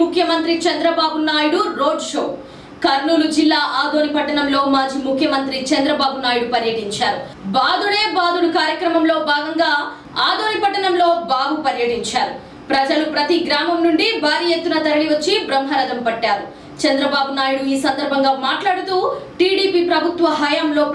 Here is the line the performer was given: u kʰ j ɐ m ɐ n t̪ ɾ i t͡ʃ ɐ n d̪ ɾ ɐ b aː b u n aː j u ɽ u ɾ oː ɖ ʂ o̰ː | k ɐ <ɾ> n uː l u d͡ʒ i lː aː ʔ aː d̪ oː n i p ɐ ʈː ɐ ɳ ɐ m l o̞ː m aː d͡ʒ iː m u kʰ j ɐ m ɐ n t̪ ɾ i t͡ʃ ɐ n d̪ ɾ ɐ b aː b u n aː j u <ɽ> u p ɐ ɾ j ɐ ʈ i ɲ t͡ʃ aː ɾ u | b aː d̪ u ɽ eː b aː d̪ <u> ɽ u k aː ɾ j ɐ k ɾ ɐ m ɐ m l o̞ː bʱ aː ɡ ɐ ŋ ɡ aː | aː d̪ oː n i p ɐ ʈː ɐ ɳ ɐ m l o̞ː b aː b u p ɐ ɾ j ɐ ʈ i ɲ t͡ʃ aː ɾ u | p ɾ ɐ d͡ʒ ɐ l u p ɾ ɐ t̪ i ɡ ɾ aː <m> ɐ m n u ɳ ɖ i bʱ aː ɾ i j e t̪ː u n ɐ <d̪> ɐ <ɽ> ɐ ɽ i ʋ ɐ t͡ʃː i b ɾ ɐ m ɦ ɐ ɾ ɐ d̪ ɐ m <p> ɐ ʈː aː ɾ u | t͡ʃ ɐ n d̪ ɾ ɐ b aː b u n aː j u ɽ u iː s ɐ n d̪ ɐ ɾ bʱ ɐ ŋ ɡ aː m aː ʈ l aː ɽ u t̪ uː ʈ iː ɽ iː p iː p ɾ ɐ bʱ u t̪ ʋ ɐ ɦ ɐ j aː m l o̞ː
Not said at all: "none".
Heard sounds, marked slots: ɾ, ɽ, u, m, t̪, ɾ, p

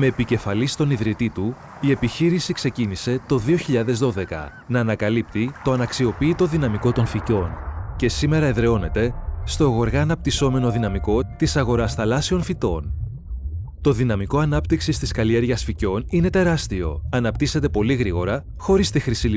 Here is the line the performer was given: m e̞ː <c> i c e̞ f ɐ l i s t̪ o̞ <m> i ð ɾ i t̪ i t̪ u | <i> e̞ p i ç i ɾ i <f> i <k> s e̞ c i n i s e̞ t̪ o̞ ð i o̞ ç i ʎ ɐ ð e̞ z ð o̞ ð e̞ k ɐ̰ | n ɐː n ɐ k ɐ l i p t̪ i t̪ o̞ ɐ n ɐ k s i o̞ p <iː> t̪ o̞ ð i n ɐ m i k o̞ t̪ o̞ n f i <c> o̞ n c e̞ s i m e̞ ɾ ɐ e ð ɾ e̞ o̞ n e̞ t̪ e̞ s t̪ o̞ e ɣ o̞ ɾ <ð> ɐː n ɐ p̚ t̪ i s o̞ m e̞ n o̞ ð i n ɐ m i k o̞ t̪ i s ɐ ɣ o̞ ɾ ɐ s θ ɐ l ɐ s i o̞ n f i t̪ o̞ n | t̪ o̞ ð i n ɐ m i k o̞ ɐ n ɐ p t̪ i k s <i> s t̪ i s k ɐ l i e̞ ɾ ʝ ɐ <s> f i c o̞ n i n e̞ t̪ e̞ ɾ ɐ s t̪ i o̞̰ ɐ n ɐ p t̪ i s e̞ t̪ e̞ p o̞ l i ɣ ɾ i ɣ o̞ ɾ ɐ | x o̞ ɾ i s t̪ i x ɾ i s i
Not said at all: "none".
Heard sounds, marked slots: p, n, i, s, k, iː, c, ɣ, i, s

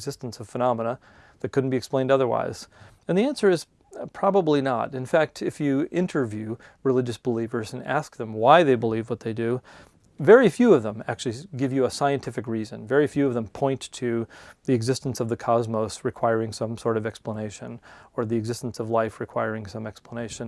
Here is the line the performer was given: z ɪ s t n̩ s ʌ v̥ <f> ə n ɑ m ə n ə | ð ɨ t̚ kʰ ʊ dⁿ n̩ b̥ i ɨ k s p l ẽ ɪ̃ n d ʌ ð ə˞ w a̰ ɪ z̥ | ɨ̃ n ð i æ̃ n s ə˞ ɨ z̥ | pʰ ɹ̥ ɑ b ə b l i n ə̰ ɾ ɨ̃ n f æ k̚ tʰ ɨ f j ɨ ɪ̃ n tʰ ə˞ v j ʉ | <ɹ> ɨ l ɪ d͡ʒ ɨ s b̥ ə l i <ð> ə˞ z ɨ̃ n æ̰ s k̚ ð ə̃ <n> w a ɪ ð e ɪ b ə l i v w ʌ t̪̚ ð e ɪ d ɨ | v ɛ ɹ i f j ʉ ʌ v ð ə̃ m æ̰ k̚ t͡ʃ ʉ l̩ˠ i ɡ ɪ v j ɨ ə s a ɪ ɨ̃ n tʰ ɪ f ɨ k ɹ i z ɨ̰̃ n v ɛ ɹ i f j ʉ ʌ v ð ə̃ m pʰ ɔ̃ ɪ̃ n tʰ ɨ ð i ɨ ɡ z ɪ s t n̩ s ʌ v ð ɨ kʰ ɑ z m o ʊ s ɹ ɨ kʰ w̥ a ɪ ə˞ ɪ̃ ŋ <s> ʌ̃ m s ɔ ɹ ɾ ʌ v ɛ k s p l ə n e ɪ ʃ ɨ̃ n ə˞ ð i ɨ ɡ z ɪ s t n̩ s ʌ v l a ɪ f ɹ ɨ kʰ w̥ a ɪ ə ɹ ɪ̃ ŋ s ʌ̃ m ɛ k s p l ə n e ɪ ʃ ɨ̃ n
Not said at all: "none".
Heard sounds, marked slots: f, ɹ, v, m, s

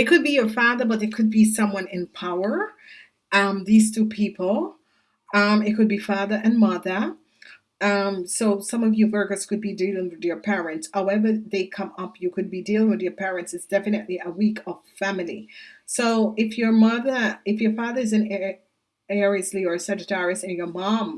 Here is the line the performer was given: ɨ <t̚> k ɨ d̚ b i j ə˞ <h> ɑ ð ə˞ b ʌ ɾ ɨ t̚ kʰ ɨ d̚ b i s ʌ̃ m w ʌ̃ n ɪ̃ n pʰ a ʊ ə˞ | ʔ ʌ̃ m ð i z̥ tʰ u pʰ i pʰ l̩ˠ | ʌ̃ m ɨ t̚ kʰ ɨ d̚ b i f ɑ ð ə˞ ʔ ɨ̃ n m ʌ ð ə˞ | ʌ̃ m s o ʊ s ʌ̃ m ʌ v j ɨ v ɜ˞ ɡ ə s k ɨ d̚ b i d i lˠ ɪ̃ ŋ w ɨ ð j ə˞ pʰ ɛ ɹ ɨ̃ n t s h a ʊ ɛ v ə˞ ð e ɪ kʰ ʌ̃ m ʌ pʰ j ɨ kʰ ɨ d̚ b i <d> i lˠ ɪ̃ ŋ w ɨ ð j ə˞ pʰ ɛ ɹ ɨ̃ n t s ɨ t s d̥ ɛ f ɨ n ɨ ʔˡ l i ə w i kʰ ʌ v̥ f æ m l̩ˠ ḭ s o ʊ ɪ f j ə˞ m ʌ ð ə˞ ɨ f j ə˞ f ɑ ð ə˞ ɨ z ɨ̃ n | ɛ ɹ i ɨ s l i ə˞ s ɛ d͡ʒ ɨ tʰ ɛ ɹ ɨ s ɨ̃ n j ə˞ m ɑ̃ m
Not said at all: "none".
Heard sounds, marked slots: t̚, f, d

